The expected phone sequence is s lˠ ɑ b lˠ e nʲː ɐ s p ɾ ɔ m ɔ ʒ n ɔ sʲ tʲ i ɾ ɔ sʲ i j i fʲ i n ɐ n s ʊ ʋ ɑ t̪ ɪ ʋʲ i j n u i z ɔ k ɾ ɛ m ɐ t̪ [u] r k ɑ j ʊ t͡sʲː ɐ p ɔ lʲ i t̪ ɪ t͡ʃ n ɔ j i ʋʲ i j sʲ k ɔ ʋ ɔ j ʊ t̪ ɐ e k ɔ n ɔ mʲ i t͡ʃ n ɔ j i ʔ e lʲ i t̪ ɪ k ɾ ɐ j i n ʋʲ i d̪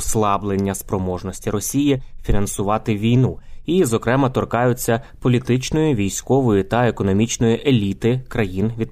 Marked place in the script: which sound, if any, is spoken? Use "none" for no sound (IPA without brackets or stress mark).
ɔ